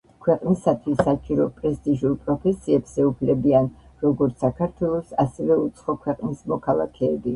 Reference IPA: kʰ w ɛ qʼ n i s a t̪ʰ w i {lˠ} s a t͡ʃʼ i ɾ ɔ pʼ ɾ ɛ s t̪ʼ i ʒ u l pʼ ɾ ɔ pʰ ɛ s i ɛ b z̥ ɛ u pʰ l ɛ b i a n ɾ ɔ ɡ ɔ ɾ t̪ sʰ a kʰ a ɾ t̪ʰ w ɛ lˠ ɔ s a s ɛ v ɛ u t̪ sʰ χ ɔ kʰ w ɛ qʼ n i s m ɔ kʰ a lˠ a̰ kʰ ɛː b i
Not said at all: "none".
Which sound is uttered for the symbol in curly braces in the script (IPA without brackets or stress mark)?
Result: none